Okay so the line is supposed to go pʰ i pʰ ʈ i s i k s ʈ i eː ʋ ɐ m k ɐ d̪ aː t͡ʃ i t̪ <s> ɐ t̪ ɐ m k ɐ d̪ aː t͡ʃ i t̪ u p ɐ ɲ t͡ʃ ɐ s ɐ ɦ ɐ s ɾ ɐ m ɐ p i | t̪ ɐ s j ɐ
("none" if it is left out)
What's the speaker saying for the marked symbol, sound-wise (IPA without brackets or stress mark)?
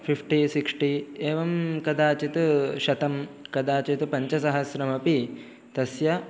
ʃ